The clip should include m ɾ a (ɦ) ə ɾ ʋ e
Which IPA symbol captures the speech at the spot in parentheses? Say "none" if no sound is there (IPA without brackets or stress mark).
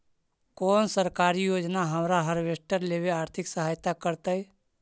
ɦ